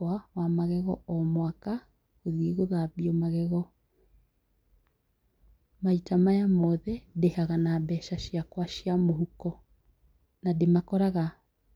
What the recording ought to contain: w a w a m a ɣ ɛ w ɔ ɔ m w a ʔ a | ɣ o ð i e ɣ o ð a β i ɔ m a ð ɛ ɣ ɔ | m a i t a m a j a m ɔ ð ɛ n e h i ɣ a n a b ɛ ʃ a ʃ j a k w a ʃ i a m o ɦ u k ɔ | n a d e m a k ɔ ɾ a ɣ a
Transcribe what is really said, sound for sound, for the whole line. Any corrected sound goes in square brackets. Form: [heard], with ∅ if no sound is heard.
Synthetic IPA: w a w a m a ɣ ɛ [ɣ] ɔ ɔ m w a [k] a | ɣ o ð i e ɣ o ð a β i ɔ m a [ɣ] ɛ ɣ ɔ | m a i t a m a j a m ɔ ð ɛ [d] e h [a] ɣ a n a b ɛ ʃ a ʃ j a k w a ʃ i a m o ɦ u k ɔ | n a d e m a k ɔ ɾ a ɣ a